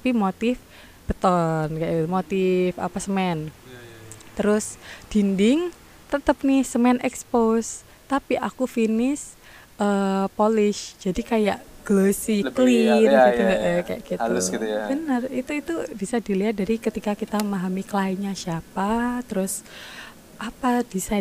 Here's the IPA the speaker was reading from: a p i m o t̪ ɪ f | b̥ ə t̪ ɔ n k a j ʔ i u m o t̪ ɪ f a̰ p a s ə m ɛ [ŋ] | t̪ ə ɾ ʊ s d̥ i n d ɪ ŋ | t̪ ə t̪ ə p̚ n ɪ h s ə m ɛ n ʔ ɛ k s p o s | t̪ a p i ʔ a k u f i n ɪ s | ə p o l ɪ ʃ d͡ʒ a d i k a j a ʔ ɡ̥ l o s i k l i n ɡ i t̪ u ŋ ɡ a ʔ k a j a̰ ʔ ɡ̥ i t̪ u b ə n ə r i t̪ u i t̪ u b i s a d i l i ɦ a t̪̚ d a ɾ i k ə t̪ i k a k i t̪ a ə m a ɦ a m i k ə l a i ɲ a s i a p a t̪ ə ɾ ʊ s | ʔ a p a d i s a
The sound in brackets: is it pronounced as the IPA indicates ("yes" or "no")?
no